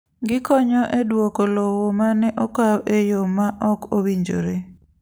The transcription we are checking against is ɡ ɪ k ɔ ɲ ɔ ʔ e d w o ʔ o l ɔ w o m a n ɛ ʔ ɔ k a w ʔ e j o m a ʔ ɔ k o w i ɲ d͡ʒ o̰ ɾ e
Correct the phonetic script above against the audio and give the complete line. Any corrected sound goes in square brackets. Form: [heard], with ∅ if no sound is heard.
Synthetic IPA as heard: ɡ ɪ k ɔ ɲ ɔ ʔ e d w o [k] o l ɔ w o m a n ɛ ʔ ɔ k a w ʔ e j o m a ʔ ɔ k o w i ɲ d͡ʒ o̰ ɾ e